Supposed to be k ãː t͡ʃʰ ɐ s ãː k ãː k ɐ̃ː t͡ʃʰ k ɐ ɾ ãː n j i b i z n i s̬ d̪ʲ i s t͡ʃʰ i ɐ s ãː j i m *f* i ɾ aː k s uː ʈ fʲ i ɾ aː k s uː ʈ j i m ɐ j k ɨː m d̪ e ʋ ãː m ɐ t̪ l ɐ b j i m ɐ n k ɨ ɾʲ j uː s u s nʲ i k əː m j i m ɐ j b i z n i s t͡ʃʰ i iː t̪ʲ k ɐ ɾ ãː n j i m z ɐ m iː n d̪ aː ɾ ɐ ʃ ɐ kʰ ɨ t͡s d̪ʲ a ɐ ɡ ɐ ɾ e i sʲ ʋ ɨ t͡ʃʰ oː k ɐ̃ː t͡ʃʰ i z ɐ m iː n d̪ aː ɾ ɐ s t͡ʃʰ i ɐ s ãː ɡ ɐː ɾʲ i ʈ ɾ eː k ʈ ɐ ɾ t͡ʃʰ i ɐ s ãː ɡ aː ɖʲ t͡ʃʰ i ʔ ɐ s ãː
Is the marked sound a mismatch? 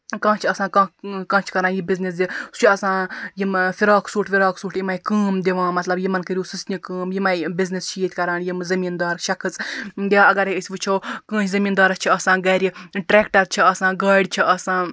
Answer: no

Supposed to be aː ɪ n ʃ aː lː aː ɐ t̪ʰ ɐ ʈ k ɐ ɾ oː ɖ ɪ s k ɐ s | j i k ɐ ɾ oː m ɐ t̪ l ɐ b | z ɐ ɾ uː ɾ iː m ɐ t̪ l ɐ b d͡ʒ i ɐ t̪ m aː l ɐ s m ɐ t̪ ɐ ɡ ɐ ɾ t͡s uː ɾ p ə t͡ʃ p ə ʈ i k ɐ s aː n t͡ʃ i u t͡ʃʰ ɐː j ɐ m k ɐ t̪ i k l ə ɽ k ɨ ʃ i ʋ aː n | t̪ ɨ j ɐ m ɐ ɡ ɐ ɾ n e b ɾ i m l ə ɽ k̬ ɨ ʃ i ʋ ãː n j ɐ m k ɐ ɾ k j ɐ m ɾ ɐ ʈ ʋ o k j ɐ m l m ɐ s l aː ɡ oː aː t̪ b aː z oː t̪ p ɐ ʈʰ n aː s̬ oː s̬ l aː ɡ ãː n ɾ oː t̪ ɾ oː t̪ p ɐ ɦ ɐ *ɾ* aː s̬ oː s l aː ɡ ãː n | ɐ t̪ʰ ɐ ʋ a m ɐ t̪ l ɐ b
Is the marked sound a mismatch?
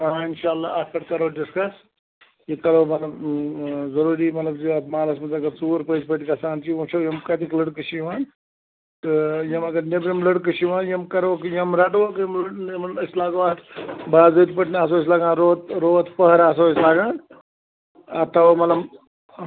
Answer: no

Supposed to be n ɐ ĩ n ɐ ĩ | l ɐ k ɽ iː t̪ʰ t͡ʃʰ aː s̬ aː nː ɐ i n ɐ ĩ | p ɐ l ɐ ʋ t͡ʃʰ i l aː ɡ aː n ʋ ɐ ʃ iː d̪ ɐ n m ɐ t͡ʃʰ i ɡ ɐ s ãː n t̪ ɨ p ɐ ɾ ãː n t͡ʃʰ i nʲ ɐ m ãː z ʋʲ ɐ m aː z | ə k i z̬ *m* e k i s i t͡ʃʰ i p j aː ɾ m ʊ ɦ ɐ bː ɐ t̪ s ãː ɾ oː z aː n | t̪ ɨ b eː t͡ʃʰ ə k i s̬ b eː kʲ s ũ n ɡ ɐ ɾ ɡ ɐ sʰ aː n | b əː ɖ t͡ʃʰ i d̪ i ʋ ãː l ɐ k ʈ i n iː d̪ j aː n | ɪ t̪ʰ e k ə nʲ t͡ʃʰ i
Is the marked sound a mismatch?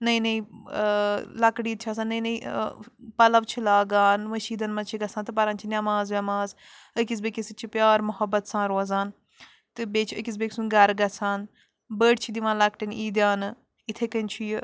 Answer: yes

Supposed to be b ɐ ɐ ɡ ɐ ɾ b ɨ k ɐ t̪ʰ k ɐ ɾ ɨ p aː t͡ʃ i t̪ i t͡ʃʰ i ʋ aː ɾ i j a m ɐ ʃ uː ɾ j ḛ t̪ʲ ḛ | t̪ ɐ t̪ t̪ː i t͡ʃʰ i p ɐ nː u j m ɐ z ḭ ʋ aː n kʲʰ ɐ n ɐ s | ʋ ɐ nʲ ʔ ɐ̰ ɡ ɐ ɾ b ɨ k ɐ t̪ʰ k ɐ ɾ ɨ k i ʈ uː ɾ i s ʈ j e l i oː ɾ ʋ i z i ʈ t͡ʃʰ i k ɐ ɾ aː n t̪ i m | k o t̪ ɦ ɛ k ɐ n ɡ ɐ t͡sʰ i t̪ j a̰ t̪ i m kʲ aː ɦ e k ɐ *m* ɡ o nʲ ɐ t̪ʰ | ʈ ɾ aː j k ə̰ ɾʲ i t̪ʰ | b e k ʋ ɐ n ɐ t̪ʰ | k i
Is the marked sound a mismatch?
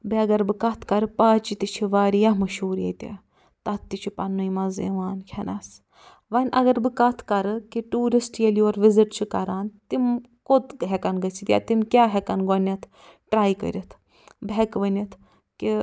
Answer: yes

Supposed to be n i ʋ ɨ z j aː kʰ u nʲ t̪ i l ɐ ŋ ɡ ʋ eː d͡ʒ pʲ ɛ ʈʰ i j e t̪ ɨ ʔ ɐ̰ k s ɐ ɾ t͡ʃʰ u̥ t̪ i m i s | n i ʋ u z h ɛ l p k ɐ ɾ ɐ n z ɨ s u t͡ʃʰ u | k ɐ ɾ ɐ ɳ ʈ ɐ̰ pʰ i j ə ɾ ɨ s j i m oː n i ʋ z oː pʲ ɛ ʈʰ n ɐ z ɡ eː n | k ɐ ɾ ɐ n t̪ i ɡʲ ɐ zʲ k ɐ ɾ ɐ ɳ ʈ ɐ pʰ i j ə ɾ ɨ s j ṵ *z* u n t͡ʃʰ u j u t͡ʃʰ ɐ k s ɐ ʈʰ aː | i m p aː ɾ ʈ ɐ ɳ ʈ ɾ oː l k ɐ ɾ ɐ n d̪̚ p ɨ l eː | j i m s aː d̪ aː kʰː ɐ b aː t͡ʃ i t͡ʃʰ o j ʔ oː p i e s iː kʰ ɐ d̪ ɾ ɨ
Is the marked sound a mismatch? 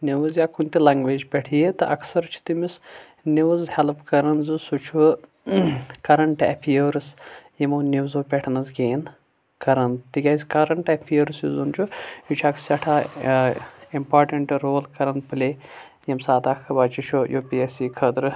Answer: no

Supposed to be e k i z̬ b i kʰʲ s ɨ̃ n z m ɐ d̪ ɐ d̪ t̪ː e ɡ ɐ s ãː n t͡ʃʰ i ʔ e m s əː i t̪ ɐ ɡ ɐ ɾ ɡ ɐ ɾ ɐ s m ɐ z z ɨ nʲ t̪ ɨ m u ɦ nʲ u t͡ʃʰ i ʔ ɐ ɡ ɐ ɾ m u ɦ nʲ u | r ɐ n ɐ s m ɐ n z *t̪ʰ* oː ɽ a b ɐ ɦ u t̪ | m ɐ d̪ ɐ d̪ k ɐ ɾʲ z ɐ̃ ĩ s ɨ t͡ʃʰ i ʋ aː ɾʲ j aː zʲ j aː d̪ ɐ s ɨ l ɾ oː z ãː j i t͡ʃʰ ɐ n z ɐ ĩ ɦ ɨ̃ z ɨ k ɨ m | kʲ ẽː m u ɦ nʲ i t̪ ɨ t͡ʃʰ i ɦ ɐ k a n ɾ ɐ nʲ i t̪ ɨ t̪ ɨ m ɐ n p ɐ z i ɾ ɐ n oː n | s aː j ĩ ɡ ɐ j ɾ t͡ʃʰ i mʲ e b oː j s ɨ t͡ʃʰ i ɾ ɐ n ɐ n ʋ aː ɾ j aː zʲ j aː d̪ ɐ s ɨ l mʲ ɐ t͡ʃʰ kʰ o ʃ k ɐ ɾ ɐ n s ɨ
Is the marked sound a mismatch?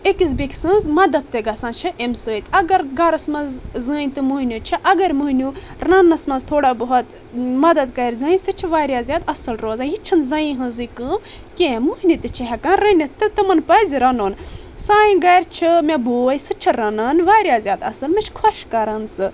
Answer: no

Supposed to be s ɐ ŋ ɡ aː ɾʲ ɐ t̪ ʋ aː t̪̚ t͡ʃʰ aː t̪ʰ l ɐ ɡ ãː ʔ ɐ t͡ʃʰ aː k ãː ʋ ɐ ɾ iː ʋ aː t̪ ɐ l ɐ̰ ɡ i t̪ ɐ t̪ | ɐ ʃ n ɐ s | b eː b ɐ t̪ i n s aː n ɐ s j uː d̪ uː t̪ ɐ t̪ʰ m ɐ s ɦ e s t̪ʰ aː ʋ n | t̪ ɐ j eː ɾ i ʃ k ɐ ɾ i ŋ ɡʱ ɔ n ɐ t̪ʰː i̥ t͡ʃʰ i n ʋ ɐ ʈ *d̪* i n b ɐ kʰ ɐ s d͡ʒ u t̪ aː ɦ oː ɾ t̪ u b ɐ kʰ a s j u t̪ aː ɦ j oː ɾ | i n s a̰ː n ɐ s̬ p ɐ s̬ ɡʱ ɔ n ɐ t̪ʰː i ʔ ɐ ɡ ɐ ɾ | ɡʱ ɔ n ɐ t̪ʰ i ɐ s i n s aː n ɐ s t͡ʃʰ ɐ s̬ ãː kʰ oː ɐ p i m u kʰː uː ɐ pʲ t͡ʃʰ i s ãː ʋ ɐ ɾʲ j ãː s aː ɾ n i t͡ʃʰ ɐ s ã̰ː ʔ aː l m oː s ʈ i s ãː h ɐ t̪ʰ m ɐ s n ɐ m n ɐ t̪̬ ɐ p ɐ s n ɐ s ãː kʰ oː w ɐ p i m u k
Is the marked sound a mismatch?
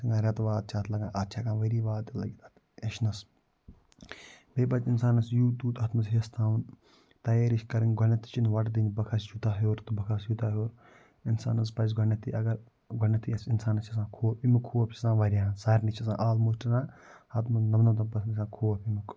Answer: no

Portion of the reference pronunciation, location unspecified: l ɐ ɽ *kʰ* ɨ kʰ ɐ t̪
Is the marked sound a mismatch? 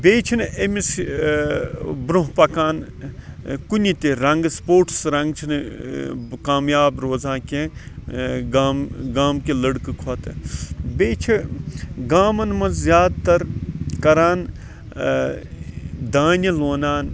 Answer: yes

